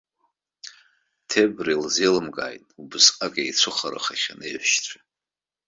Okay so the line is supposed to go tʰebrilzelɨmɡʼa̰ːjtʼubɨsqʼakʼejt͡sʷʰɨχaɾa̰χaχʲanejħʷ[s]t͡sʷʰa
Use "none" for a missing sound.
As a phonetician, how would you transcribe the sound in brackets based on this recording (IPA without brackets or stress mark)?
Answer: ʃ